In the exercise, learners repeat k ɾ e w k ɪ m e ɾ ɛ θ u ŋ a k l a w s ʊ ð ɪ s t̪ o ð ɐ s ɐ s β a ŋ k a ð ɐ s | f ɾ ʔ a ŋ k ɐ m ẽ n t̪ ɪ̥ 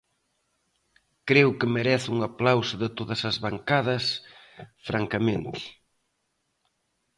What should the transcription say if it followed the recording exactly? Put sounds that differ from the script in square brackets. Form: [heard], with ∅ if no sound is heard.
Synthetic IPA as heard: k ɾ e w k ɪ m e ɾ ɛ θ u ŋ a [p] l a w s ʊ ð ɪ [∅] t̪ o ð ɐ s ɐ [z] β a ŋ k a ð ɐ s | f ɾ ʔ a ŋ k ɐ m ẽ n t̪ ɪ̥

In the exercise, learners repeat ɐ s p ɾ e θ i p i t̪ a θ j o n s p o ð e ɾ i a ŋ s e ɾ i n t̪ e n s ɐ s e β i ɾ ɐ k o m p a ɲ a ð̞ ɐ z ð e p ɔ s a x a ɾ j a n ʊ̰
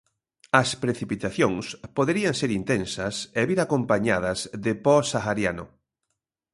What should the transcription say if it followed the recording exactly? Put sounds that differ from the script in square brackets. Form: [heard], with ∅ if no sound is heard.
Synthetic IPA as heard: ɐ s p ɾ e θ i p i t̪ a θ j o [ŋ] s p o ð e ɾ i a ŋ s e ɾ i n t̪ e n s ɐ s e β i ɾ [a] k o m p a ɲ a ð̞ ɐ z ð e p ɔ s a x a ɾ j a n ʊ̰

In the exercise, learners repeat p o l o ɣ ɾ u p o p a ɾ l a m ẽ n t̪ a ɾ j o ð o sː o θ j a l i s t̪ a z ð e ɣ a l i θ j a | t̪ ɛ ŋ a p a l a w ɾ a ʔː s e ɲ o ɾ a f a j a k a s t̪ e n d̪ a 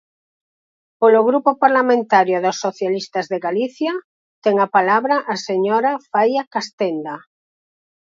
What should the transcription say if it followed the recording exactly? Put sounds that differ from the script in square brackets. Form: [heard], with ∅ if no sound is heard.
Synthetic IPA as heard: p o l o ɣ ɾ u p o p a ɾ l a m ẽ n t̪ a ɾ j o ð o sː o θ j a l i s t̪ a z ð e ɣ a l i θ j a | t̪ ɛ ŋ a p a l a [β] ɾ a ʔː s e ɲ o ɾ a f a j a k a s t̪ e n d̪ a

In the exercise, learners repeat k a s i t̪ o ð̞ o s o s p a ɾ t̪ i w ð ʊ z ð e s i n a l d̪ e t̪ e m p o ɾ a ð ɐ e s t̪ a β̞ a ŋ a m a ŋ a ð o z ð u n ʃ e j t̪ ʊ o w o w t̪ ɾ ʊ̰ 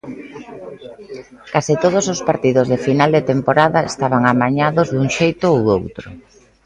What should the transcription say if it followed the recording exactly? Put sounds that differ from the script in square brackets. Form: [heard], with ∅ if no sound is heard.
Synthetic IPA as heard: k a s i t̪ o ð̞ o s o s p a ɾ t̪ i [∅] ð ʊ z ð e [f] i n a l d̪ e t̪ e m p o ɾ a ð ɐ e s t̪ a β̞ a ŋ a m a [ɲ] a ð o z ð u [ŋ] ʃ e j t̪ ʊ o w o w t̪ ɾ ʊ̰

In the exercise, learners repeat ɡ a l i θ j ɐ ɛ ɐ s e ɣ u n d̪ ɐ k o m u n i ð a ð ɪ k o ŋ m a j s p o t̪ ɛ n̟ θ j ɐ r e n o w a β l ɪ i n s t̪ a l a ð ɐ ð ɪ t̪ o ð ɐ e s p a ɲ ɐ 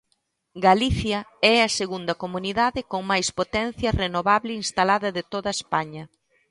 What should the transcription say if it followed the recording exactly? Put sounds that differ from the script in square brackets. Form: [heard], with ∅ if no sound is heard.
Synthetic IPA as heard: ɡ a l i θ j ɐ ɛ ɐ s e ɣ u n d̪ ɐ k o m u n i ð a ð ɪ k o ŋ m a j s p o t̪ ɛ n̟ θ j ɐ r e n o [β] a β l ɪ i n s t̪ a l a ð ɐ ð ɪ t̪ o ð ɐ e s p a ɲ ɐ

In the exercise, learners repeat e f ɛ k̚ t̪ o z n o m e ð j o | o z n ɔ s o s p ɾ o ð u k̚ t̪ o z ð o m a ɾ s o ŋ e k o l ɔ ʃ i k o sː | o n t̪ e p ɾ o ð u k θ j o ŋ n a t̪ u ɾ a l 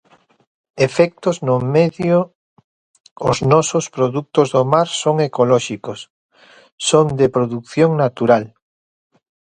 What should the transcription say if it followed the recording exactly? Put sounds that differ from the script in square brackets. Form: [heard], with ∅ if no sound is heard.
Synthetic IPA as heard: e f ɛ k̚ t̪ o z n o m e ð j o | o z n ɔ s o s p ɾ o ð u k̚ t̪ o z ð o m a ɾ s o ŋ e k o l ɔ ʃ i k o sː | o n [d̪] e p ɾ o ð u k θ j o ŋ n a t̪ u ɾ a l

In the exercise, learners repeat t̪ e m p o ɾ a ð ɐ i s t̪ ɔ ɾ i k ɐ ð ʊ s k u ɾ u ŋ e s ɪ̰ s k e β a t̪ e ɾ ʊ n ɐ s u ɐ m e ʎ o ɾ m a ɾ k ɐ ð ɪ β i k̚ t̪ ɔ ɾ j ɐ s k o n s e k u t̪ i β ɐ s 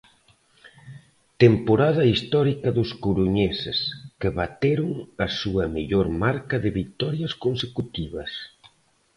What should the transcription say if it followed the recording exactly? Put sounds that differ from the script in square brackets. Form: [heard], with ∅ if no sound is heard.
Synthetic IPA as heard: t̪ e m p o ɾ a ð ɐ i s t̪ ɔ ɾ i k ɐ ð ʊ s k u ɾ u [ɲ] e s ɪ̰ s k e β a t̪ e ɾ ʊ [ŋ] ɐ s u ɐ m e ʎ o ɾ m a ɾ k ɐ ð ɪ β i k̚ t̪ ɔ ɾ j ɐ s k o n s e k u t̪ i β ɐ s

